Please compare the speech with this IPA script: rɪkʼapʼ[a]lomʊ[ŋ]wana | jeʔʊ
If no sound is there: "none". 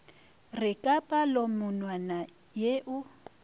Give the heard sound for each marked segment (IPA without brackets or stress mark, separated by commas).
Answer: a, n